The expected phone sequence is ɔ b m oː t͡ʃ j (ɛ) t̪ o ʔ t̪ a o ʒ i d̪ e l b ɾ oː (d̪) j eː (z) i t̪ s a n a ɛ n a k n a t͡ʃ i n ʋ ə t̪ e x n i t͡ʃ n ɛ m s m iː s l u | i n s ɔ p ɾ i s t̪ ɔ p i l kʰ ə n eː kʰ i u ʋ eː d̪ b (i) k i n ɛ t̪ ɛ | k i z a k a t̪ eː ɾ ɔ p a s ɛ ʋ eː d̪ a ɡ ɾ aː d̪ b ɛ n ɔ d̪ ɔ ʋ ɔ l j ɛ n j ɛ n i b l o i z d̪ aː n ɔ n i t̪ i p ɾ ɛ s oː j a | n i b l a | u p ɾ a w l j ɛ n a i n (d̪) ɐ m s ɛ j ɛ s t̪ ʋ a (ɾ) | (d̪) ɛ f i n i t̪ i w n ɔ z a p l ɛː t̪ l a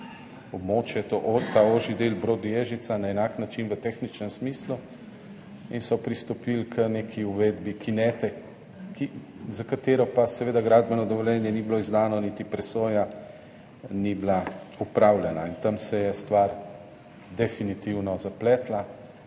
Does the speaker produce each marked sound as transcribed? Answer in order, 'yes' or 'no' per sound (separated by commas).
yes, yes, no, yes, no, yes, yes